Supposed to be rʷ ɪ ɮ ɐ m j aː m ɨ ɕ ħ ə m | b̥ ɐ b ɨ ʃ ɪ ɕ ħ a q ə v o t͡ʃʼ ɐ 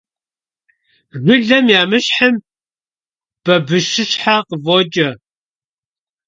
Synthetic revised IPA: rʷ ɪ ɮ ɐ m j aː m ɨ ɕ ħ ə m | b̥ ɐ b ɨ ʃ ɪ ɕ ħ a q ə v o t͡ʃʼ ɐ